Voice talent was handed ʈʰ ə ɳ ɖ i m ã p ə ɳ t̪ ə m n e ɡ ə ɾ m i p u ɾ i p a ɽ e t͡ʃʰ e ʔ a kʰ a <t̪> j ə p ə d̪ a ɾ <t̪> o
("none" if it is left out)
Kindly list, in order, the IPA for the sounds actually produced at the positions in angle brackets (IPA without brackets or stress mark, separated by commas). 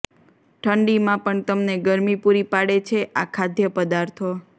d̪, t̪ʰ